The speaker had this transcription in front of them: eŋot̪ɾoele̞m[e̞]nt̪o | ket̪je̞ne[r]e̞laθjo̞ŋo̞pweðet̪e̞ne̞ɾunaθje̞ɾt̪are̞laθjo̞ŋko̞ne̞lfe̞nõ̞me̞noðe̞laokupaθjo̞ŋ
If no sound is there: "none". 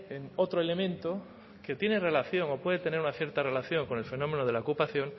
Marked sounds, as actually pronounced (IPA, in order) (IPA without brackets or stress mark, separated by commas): ẽ̞, r